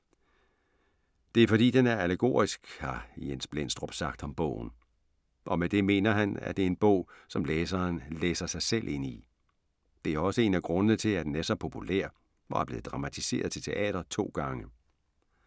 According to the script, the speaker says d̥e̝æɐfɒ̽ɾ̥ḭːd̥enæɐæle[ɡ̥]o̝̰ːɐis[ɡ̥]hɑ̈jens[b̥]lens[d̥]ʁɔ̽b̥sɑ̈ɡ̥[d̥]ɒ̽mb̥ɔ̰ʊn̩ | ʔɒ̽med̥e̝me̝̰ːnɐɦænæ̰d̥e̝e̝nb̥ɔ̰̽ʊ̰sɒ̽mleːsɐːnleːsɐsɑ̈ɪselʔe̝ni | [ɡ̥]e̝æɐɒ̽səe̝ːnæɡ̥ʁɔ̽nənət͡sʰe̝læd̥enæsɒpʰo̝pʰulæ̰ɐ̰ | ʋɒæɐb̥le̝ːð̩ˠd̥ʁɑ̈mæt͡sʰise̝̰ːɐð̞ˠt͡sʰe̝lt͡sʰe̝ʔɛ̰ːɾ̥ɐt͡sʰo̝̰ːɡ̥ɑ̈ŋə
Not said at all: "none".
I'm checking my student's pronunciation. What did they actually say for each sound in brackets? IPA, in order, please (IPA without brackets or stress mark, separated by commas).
ɡ̥, ɡ̥, b̥, d̥, d̥, d̥